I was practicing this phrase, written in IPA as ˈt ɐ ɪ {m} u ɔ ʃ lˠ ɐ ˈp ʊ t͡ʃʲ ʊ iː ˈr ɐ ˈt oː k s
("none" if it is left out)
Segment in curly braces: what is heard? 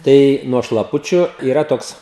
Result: n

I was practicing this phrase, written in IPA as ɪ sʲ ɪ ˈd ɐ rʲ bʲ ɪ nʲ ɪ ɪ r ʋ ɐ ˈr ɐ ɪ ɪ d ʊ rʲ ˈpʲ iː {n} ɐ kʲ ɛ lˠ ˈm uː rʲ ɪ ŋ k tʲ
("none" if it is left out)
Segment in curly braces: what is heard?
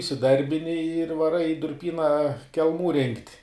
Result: n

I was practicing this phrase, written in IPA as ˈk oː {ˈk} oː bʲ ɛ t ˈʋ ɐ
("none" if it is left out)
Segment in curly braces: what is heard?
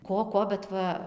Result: k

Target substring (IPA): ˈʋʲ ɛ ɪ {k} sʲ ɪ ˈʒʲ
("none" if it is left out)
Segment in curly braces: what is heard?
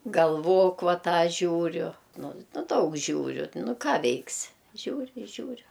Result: k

